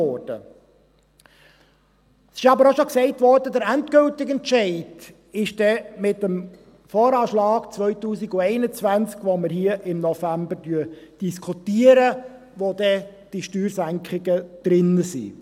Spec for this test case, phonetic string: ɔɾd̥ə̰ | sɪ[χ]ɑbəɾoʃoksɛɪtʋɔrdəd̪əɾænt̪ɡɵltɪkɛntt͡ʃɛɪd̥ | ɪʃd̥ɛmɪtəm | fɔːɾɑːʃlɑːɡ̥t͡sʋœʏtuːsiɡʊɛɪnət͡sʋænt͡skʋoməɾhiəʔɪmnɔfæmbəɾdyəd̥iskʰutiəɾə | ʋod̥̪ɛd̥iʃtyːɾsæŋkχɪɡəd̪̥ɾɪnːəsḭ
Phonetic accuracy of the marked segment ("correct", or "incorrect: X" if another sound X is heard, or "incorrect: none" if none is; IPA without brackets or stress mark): incorrect: ʃ